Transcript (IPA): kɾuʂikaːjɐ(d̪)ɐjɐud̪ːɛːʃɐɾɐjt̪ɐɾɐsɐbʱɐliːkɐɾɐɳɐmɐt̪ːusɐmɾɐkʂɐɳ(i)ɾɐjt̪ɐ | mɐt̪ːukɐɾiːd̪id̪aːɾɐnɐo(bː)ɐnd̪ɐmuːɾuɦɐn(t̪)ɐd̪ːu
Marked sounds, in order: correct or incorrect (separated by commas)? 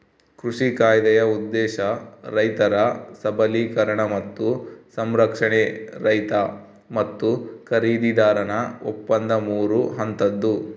correct, incorrect, incorrect, correct